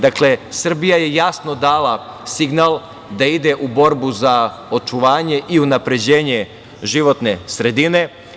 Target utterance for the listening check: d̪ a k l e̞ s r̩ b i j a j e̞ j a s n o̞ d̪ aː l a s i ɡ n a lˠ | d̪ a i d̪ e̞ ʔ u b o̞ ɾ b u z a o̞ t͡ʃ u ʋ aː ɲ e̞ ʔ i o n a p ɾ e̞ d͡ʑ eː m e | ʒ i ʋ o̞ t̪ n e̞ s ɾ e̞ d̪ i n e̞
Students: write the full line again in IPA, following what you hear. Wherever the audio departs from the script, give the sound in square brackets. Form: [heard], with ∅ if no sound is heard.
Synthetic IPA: d̪ a k l e̞ s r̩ b i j a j e̞ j a s n o̞ d̪ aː l a s i ɡ n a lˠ | d̪ a i d̪ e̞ ʔ u b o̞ ɾ b u z a o̞ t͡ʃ u ʋ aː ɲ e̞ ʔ i [u] n a p ɾ e̞ d͡ʑ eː [ɲ] e | ʒ i ʋ o̞ t̪ n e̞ s ɾ e̞ d̪ i n e̞